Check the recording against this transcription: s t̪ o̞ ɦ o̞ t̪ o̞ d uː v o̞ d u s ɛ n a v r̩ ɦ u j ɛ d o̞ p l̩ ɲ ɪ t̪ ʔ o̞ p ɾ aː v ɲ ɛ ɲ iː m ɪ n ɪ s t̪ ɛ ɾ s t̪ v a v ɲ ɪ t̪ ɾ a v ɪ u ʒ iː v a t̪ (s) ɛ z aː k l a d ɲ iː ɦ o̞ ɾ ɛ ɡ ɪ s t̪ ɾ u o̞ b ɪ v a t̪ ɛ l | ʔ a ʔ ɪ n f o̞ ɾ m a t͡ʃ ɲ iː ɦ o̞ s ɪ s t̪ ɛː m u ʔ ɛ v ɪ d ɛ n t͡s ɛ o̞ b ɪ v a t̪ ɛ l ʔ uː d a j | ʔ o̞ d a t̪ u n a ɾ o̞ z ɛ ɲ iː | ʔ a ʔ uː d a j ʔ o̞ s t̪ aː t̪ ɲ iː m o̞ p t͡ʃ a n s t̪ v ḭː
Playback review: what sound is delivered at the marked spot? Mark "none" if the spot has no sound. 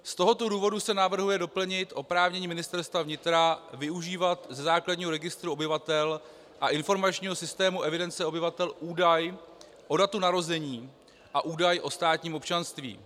z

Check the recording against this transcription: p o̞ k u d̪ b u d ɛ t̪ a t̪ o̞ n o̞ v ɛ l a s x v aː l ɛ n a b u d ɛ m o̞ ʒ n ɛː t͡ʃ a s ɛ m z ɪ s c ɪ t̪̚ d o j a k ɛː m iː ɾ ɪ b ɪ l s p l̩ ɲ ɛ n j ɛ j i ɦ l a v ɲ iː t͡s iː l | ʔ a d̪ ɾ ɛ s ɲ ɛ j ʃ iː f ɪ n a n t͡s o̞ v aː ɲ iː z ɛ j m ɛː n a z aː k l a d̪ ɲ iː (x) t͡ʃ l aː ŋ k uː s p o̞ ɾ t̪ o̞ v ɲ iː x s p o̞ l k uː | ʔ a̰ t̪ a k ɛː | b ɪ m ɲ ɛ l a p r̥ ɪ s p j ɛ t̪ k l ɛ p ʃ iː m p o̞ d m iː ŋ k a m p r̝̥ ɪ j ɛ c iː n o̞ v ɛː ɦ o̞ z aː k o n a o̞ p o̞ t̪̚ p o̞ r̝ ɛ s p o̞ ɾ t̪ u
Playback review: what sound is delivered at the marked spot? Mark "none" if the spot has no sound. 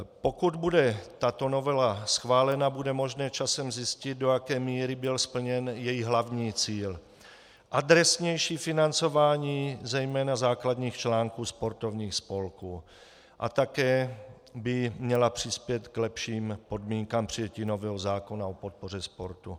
x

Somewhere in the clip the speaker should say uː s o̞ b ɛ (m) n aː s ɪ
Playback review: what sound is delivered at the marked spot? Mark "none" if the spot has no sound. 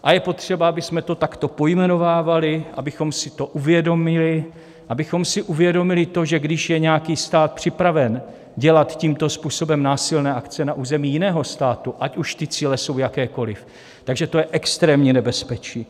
m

